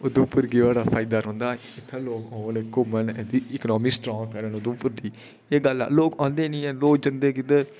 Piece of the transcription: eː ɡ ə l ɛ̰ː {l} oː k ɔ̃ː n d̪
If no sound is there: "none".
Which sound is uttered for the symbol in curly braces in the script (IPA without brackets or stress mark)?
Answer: l